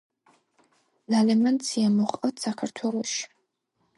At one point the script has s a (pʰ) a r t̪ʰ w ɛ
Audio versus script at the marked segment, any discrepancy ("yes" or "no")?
yes